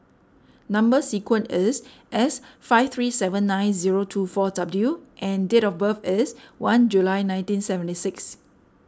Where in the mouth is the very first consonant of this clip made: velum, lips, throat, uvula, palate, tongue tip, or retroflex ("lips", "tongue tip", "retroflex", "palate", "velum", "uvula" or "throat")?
tongue tip